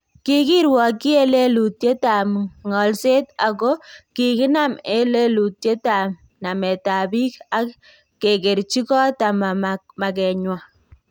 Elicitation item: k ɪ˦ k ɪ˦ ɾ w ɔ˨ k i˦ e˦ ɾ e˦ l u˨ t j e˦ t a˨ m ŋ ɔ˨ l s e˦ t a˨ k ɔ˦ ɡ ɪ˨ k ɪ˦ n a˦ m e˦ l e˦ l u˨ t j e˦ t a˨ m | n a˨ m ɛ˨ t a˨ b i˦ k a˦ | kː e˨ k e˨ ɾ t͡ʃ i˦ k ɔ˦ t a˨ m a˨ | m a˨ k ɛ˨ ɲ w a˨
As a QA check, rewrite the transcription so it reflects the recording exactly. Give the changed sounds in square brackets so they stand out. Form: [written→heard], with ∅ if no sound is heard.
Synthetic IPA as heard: k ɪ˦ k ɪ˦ ɾ w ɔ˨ k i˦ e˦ [ɾ→l] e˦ l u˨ t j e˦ t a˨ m ŋ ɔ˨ l s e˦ t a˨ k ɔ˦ [ɡ→k] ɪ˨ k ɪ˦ n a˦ m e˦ l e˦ l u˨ t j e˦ t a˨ m | n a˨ m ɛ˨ t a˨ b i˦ k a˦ | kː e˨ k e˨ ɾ t͡ʃ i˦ k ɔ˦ t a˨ m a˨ | m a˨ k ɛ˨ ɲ w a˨